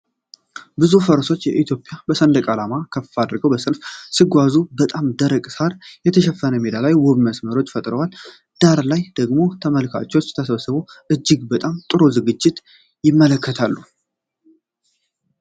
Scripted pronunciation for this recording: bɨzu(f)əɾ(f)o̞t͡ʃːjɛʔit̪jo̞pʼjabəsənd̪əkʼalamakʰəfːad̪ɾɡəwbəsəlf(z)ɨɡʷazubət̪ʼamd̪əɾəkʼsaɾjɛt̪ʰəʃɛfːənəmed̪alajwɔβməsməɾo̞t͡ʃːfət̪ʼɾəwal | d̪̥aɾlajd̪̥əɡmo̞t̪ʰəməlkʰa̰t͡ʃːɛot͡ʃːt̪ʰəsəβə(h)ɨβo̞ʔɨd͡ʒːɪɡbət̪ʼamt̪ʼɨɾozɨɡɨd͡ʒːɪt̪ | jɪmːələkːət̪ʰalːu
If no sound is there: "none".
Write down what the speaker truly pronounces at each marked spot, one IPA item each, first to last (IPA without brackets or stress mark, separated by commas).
f, s, s, s